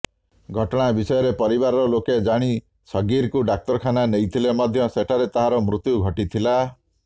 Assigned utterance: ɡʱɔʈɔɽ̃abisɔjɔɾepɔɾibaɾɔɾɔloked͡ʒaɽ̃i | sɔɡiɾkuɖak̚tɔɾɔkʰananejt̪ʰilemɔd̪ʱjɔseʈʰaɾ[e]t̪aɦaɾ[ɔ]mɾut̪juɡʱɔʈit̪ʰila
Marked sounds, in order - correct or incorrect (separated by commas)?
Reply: correct, correct